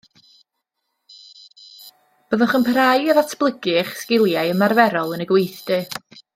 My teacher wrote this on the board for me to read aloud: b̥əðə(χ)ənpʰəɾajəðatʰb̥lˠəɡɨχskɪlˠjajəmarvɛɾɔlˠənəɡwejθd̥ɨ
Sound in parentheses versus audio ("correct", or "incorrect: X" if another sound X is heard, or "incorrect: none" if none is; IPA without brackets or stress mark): correct